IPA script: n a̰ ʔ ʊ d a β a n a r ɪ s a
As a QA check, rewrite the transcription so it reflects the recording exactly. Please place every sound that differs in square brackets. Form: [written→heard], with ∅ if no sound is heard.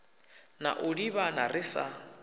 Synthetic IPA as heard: n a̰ ʔ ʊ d [a→i] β a n a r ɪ s a

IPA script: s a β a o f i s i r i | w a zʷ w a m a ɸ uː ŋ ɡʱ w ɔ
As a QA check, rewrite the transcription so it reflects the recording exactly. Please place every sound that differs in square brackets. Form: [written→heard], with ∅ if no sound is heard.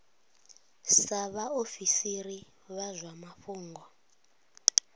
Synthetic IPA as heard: s a β a o f i s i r i | [w→β] a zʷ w a m a ɸ uː ŋ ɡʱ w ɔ

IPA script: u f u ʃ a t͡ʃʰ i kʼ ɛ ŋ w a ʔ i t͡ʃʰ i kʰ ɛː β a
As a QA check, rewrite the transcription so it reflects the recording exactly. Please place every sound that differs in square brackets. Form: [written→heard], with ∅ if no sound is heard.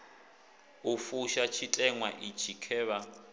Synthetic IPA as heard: u f u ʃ a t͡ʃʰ i [kʼ→tʼ] ɛ ŋ w a ʔ i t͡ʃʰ i kʰ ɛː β a

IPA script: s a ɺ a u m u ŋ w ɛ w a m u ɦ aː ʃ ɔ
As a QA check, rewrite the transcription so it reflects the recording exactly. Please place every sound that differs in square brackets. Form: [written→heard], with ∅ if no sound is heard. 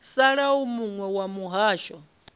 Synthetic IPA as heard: s a ɺ a u m u ŋ w ɛ w a m u ɦ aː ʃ ɔ

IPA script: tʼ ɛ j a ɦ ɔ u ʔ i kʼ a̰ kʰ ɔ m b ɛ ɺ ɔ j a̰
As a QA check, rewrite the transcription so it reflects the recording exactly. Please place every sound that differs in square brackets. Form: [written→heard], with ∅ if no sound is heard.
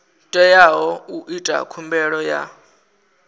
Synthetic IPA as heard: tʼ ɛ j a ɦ ɔ u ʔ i [kʼ→tʼ] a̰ kʰ [ɔ→u] m b ɛ ɺ ɔ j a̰

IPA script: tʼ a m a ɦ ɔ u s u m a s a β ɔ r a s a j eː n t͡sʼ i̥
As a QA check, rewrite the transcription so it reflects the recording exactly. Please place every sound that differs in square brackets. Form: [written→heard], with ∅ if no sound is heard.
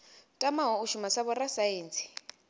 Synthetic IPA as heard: tʼ a m a ɦ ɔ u [s→ʃ] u m a s a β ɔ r a s a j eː n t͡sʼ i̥

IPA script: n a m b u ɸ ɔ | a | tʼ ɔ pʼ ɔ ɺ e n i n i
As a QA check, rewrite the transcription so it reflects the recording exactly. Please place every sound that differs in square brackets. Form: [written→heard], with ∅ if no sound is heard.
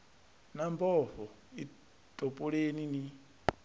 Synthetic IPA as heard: n a m b [u→ɔ] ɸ ɔ | [a→i] | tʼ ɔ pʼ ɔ ɺ e n i n i

